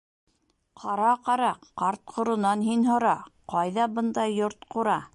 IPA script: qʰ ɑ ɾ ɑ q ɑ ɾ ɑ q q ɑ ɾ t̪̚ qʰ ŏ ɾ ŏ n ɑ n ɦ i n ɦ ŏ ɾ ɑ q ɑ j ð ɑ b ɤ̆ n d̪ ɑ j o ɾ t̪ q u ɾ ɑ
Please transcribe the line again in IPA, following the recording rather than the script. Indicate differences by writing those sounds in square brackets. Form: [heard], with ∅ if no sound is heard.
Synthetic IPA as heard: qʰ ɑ ɾ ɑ q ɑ ɾ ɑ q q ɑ ɾ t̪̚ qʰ ŏ ɾ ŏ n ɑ n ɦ i n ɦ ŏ ɾ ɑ q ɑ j ð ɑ b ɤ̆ n d̪ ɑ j o ɾ t̪ q u ɾ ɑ